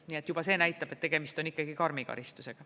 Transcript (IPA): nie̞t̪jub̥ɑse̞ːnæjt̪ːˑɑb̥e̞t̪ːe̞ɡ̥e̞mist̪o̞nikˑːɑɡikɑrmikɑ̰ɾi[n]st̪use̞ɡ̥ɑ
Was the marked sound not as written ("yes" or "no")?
yes